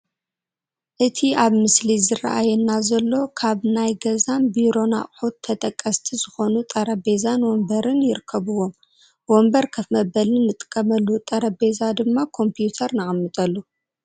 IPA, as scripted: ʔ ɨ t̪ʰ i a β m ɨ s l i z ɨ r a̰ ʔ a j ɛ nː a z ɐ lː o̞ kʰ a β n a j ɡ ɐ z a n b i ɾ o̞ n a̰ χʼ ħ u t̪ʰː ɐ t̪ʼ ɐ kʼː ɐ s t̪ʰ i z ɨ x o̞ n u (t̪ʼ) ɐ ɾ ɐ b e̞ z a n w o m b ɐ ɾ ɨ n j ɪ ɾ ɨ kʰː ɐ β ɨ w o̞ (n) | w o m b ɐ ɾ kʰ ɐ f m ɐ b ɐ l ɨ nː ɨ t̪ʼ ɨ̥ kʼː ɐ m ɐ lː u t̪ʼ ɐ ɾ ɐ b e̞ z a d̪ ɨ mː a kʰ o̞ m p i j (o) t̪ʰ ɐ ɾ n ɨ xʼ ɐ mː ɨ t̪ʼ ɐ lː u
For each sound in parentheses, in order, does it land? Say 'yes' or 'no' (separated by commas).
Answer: yes, no, no